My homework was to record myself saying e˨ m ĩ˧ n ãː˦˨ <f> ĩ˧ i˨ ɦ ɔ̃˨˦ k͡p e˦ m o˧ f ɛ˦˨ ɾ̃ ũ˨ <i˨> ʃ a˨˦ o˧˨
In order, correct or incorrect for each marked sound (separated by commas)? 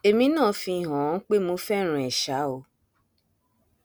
correct, incorrect